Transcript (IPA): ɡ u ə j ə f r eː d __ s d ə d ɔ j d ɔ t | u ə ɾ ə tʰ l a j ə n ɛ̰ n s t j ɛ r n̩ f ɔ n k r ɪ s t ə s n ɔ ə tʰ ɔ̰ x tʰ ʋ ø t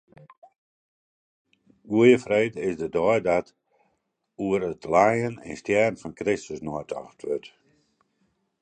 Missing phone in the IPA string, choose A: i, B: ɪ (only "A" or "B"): B